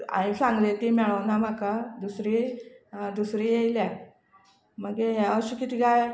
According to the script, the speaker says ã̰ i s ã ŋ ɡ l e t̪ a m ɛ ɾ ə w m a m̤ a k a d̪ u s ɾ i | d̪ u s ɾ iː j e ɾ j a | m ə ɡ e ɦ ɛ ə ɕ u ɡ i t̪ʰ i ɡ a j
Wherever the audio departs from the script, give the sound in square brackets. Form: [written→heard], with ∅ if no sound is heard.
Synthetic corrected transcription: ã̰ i s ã ŋ ɡ l e t̪ [a→i] m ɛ [ɾ→ɭ] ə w [m→n] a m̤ a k a d̪ u s ɾ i | d̪ u s ɾ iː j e [ɾ→l] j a | m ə ɡ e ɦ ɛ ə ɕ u [ɡ→k] i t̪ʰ i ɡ a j